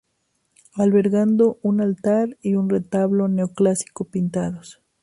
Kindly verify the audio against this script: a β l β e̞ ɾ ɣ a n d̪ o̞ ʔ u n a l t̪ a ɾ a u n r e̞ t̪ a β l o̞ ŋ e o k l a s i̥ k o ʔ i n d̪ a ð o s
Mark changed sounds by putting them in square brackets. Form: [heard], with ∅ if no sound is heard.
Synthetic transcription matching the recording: a [∅] l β e̞ ɾ ɣ a n d̪ o̞ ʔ u n a l t̪ a ɾ [i] u n r e̞ t̪ a β l o̞ [n] e o k l a s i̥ k o [p] i n [t̪] a ð o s